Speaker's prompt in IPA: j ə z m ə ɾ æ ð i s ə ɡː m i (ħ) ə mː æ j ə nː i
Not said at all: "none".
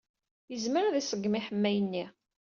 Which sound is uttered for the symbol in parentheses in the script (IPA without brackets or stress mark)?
ħ